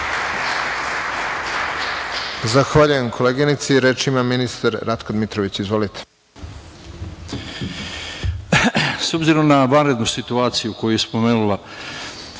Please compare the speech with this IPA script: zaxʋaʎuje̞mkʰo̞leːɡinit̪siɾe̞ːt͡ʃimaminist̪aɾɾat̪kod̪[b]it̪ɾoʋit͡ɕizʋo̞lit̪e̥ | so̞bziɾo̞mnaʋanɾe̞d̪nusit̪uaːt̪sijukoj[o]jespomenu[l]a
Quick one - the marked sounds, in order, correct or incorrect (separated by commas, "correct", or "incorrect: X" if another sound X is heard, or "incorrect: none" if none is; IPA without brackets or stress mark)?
incorrect: m, incorrect: u, correct